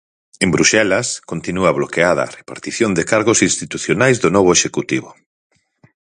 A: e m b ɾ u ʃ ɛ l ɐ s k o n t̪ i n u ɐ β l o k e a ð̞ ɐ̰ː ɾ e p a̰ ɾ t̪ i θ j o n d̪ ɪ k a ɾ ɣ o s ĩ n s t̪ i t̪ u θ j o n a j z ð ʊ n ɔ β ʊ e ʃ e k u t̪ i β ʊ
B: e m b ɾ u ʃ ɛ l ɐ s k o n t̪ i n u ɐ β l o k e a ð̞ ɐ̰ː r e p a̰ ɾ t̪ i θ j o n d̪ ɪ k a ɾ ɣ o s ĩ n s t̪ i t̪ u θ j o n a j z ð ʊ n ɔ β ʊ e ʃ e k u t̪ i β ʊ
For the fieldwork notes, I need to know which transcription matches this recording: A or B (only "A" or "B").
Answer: B